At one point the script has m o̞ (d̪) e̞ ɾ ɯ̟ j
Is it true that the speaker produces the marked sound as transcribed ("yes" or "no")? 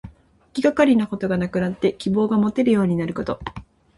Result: no